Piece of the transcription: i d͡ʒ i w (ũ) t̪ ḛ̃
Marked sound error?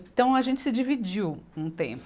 no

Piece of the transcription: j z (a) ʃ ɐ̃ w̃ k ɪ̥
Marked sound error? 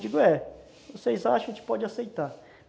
no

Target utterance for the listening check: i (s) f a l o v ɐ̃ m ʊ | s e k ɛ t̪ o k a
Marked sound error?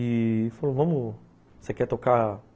yes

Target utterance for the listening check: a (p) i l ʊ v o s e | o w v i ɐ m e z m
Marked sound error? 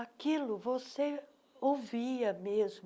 yes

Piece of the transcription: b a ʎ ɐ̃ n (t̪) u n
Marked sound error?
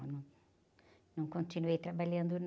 yes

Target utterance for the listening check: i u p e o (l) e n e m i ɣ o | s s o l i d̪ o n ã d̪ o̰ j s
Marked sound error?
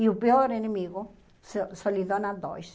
yes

